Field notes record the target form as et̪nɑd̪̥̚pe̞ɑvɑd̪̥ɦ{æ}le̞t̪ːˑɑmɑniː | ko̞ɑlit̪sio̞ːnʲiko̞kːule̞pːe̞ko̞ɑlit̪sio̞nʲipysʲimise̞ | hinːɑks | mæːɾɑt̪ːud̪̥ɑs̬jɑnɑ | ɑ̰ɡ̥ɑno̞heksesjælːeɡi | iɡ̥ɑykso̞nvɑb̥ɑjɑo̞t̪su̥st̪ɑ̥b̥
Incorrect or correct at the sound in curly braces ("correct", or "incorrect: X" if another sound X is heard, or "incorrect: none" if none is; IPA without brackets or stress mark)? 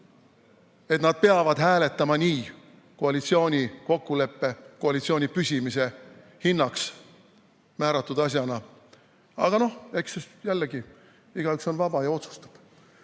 incorrect: æː